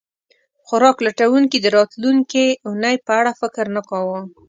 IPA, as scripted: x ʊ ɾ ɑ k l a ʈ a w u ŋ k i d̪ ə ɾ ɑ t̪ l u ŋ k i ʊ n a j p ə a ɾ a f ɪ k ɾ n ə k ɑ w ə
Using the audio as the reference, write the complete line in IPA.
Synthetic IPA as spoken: x ʊ ɾ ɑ k l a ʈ a w u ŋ k i d̪ ə ɾ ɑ t̪ l u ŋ k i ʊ n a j p ə a ɽ a f ɪ k ɾ n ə k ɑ w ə